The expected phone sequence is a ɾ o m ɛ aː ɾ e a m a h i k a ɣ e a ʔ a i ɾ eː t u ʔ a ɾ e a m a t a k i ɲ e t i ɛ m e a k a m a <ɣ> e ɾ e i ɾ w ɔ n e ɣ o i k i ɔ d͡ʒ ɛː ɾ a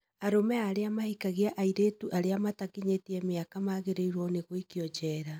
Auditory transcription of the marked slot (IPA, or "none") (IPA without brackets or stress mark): ɣ